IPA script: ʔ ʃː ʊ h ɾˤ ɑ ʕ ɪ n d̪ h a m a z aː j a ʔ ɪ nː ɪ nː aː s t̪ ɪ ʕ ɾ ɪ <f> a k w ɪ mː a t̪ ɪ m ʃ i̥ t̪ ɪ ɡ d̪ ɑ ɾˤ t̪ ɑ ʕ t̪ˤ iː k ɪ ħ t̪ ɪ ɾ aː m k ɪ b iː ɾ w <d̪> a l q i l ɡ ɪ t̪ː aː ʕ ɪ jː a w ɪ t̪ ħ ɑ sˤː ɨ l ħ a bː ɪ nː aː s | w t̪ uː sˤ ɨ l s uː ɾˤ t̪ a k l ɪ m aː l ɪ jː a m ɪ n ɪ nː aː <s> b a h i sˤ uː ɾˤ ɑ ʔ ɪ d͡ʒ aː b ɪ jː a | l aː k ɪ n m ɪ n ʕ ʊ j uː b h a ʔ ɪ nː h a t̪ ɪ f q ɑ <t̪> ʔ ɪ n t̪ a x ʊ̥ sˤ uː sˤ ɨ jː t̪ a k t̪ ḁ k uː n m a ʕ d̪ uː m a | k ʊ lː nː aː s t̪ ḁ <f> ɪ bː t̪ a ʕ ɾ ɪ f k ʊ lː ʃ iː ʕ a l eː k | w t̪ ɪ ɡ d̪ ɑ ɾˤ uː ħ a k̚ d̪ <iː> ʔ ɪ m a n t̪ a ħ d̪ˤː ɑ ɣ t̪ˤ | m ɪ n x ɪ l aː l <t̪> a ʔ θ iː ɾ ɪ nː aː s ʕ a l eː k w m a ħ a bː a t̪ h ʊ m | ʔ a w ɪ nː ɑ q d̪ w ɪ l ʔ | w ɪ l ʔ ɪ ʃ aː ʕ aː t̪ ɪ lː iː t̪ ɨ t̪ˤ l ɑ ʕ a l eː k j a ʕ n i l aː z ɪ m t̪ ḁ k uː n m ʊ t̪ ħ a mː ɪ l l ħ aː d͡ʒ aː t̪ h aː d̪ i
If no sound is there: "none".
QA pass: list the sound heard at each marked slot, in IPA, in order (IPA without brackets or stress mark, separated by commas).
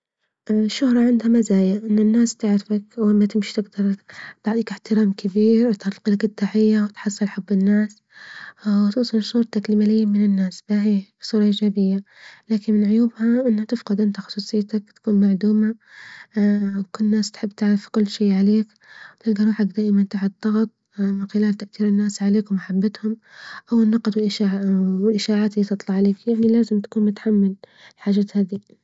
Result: f, t̪, s, d̪, ħ, aː, t̪